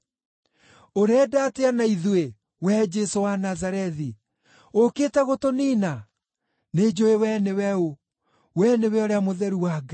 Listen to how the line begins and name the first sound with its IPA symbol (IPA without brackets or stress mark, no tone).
o